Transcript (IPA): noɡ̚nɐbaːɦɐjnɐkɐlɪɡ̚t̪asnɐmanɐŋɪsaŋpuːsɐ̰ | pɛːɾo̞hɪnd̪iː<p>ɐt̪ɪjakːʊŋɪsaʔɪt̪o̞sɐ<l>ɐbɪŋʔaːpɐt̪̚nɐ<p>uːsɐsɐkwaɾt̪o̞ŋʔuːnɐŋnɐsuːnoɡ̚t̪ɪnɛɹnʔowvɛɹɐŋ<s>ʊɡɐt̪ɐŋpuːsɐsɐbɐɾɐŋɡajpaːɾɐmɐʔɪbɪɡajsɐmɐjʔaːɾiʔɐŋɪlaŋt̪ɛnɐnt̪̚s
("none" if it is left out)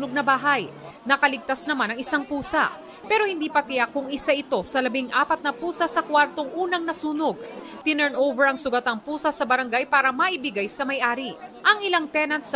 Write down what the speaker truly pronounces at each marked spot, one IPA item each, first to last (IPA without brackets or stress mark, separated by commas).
p, l, p, s